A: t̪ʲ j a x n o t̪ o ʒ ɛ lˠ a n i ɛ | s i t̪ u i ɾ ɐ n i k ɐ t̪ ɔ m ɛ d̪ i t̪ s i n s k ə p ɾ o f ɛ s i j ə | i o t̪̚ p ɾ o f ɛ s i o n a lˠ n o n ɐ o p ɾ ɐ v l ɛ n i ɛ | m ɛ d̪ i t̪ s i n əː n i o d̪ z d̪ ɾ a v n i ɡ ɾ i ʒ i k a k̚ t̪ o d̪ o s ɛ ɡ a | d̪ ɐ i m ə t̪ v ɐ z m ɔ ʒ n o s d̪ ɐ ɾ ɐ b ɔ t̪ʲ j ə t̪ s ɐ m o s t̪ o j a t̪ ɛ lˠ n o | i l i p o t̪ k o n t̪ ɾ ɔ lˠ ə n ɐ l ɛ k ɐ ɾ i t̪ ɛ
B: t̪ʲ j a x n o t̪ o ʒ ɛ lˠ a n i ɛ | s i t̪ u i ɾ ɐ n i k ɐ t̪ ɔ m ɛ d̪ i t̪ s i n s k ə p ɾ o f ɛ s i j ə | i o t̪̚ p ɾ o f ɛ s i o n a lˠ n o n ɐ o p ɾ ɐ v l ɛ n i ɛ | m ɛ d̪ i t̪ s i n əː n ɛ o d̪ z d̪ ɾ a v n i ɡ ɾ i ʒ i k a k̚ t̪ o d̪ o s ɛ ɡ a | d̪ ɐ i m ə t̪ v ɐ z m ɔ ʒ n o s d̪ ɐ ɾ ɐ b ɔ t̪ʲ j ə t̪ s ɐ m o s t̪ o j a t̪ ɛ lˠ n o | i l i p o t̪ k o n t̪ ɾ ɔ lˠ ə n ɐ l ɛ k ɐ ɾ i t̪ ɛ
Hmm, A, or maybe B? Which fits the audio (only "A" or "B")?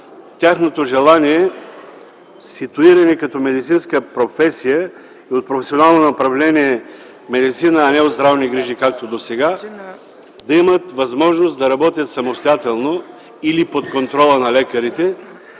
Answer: B